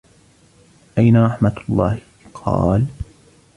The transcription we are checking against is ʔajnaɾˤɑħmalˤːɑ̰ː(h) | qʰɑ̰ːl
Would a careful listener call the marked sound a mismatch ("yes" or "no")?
no